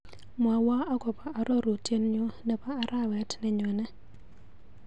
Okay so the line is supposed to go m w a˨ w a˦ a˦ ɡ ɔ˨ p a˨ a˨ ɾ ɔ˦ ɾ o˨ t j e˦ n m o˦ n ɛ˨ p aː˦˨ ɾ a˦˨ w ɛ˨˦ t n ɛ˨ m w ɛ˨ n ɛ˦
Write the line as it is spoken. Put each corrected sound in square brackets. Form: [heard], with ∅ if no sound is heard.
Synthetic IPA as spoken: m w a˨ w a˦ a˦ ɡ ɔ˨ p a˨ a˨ ɾ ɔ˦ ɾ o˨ t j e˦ n [ɲ] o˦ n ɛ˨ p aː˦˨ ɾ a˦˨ w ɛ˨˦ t n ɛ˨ [ɲ] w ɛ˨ n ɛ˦